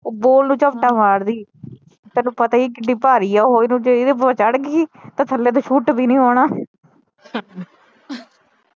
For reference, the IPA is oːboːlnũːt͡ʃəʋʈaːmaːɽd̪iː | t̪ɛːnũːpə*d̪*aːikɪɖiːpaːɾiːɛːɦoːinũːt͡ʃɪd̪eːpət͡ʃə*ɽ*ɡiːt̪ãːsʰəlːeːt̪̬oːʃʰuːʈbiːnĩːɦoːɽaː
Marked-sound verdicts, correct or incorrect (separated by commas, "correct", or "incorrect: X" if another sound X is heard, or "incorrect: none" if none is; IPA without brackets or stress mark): incorrect: t̪, correct